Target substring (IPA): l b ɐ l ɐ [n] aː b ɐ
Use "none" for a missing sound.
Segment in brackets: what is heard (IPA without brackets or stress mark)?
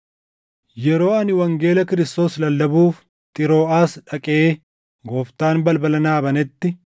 n